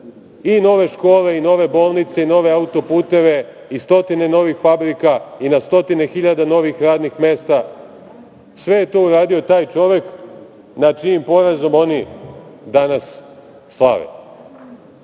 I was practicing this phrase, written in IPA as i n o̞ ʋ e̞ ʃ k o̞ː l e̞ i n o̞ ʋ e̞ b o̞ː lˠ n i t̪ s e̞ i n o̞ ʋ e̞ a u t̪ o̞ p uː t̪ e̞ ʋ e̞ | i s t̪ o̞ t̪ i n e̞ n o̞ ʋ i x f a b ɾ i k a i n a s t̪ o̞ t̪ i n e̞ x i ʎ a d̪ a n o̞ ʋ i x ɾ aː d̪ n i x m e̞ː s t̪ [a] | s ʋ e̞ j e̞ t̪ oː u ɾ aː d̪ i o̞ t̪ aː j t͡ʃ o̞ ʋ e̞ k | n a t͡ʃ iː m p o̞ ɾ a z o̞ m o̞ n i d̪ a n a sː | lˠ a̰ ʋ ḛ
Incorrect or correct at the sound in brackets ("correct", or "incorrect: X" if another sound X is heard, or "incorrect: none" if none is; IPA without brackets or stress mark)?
correct